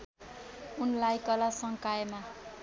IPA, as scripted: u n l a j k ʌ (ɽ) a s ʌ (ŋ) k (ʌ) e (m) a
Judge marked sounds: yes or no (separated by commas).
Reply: no, yes, no, yes